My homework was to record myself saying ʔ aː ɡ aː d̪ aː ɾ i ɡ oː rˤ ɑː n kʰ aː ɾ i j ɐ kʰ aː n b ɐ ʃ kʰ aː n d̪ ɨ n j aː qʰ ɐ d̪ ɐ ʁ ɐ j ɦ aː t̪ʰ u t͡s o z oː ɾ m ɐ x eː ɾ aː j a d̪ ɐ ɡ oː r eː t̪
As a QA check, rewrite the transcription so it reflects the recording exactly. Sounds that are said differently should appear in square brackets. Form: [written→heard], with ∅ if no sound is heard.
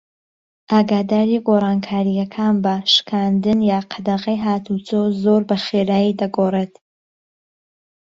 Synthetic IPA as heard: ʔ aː ɡ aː d̪ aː ɾ i ɡ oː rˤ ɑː n kʰ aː ɾ i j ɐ kʰ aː n b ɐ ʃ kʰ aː n d̪ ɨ n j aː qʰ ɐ d̪ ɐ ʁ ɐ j ɦ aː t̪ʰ u t͡s o z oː ɾ [m→b] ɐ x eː ɾ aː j [a→i] d̪ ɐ ɡ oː r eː t̪